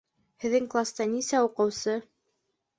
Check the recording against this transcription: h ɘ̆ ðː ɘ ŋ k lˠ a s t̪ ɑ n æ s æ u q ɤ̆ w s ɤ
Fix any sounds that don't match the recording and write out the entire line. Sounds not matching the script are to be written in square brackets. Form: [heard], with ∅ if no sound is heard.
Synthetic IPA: h ɘ̆ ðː ɘ ŋ k lˠ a s t̪ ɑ n [i] s æ u q ɤ̆ w s ɤ